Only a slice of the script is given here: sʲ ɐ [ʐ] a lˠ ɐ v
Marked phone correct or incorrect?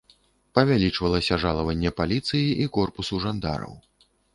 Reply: correct